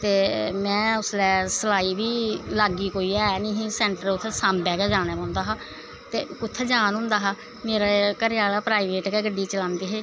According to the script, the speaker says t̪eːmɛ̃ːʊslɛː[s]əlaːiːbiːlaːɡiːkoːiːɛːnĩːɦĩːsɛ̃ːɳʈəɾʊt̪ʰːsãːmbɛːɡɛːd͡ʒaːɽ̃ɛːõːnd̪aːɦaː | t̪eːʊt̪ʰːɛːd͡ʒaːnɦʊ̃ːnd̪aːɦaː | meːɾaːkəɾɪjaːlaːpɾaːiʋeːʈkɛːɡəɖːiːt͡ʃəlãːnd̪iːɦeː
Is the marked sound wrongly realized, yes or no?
no